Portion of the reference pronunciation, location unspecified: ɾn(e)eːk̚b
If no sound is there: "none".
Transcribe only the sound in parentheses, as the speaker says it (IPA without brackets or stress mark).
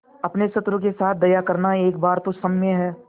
a